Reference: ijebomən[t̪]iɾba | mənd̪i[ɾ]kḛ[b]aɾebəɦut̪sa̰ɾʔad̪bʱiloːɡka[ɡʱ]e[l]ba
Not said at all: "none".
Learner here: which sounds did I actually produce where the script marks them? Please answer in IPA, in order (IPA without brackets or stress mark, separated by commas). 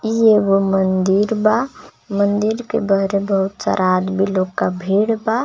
d̪, ɾ, b, bʱ, ɽ